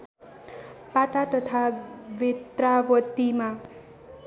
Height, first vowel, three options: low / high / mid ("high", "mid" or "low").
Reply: low